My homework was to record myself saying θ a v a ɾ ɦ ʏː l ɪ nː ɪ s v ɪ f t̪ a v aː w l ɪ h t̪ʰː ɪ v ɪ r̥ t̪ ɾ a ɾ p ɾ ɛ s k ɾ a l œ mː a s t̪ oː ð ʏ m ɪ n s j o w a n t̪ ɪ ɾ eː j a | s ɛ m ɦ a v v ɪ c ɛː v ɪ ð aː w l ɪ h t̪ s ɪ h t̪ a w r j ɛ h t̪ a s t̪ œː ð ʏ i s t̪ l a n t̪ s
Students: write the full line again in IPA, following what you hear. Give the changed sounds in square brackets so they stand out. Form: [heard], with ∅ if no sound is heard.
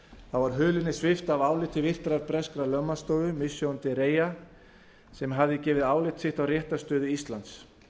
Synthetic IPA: θ a v a ɾ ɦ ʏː l ɪ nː ɪ s v ɪ f t̪ a v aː w l ɪ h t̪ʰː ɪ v ɪ r̥ t̪ ɾ a ɾ p ɾ ɛ s k ɾ a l œ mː a s t̪ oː ð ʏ m ɪ [∅] s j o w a n t̪ ɪ ɾ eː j a | s ɛ m ɦ a v [ð] ɪ c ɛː v ɪ ð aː w l ɪ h t̪ s ɪ h t̪ a w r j ɛ h t̪ a s t̪ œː ð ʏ i s t̪ l a n t̪ s